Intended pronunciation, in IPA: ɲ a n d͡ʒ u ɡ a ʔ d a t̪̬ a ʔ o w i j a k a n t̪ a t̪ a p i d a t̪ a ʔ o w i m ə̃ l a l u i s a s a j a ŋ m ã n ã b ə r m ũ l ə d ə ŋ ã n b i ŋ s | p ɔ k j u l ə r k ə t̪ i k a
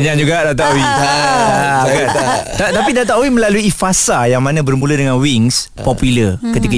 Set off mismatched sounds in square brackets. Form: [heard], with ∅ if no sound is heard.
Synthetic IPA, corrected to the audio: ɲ a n d͡ʒ u ɡ a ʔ d a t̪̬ a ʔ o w i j a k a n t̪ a t̪ a p i d a t̪ a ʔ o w i m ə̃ l a l u i [f] a s a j a ŋ m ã n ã b ə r m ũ l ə d ə ŋ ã n [w] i ŋ s | p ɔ [p] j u l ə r k ə t̪ i k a